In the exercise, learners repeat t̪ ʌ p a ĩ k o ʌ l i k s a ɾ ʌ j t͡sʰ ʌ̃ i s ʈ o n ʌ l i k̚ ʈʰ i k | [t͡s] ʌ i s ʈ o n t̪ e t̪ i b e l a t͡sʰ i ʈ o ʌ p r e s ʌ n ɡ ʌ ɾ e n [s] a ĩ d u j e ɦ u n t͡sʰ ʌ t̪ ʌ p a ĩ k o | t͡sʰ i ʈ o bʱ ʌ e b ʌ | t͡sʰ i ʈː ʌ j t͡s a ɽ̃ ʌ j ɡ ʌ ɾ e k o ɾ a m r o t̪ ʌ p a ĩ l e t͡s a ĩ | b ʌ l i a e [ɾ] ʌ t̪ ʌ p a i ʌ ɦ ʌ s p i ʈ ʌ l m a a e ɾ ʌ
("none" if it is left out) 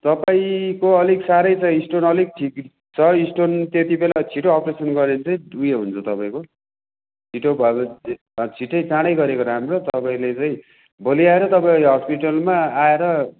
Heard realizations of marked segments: t͡sʰ, t͡s, ɾ

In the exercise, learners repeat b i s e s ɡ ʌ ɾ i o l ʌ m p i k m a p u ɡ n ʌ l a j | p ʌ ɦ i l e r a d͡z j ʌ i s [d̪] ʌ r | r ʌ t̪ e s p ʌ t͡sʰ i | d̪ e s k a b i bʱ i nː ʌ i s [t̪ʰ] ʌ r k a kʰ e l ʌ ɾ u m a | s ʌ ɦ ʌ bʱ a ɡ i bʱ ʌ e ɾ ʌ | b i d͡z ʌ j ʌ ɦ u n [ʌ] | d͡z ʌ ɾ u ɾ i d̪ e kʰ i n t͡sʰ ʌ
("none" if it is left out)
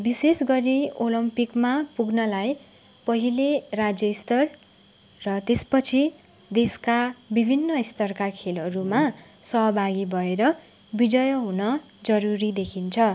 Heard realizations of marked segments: t̪, t̪, ʌ

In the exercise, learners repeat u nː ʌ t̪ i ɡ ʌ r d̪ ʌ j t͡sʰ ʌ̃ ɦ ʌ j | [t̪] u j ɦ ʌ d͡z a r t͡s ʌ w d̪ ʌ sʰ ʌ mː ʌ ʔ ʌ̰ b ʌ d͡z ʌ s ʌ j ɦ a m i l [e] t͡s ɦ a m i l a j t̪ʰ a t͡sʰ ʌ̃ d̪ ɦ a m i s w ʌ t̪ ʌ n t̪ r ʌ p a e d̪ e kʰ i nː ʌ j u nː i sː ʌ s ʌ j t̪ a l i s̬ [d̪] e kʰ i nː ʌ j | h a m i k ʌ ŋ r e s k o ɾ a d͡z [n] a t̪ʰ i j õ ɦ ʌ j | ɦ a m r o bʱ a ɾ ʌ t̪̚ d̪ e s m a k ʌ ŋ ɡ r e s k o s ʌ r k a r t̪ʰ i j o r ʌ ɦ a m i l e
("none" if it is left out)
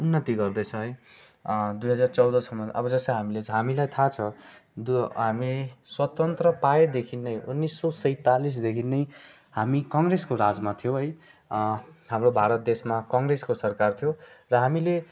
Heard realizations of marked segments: d̪, e, d̪, m

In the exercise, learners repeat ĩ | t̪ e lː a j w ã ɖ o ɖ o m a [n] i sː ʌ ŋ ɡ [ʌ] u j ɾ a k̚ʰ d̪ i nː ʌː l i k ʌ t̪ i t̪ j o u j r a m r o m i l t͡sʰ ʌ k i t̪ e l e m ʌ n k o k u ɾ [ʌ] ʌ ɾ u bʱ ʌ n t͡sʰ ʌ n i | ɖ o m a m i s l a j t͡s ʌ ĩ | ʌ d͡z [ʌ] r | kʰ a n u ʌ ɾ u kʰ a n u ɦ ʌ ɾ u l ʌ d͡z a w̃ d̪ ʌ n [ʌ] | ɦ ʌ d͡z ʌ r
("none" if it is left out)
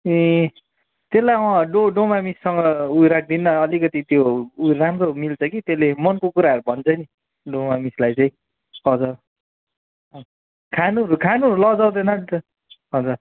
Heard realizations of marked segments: m, ʌ, a, ʌ, ʌ

